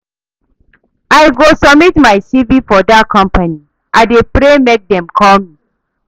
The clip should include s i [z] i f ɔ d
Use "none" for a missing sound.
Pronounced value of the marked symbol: v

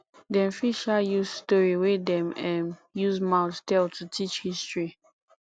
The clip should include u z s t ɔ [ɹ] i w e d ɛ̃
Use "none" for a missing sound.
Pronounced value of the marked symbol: ɹ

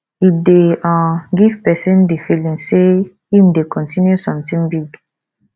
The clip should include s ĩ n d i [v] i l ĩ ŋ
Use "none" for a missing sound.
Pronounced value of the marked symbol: f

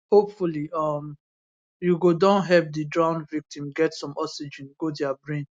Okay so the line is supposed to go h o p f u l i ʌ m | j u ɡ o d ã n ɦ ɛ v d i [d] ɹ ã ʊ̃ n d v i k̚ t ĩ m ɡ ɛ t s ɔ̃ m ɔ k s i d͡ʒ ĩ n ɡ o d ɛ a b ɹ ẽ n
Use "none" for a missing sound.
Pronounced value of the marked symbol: d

